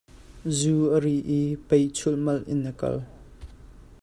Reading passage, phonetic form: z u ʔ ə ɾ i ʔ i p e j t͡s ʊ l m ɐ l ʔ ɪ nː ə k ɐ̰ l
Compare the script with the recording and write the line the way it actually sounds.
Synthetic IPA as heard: z u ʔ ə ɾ i ʔ i p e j t͡sʰ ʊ l m ɐ l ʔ ɪ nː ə k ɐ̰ l